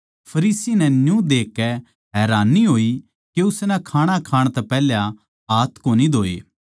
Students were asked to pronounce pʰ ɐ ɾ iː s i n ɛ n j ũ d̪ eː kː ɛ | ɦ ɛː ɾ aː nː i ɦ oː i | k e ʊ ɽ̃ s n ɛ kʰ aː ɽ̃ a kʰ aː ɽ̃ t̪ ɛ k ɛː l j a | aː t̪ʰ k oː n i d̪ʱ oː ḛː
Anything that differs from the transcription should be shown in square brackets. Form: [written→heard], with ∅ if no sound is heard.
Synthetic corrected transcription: pʰ ɐ ɾ iː s i n ɛ n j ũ d̪ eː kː ɛ | ɦ ɛː ɾ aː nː i ɦ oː i | k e ʊ [ɽ̃→∅] s n ɛ kʰ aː ɽ̃ a kʰ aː ɽ̃ t̪ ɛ [k→p] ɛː l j a | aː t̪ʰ k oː n i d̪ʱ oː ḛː